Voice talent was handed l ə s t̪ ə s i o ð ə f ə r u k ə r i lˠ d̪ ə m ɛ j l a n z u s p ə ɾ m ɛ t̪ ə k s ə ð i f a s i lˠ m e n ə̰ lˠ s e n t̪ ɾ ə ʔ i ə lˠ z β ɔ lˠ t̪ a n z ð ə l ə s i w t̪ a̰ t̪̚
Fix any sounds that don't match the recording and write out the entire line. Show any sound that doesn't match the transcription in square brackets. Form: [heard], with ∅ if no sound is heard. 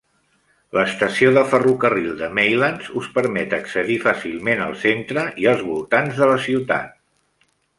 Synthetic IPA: l ə s t̪ ə s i o ð ə f ə r u k ə r i lˠ d̪ ə m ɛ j l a n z u s p ə ɾ m ɛ t̪ ə k s ə ð i f a s i lˠ m e n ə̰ lˠ s e n t̪ ɾ ə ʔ i ə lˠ z β [u] lˠ t̪ a n z ð ə l ə s i w t̪ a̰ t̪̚